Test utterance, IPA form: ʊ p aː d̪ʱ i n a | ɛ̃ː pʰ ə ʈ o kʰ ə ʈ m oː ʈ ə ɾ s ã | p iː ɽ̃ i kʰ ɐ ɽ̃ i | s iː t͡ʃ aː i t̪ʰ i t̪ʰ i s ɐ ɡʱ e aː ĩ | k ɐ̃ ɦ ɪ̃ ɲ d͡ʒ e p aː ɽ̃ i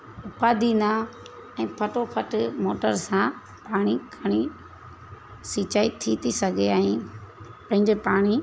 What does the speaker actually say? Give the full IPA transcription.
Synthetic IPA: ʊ p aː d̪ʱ i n a | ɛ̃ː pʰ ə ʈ o pʰ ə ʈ m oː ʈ ə ɾ s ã | p aː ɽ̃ i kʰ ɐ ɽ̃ i | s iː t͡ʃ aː i t̪ʰ i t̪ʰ i s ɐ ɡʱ e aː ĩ | p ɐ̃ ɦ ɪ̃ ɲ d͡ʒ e p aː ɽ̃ i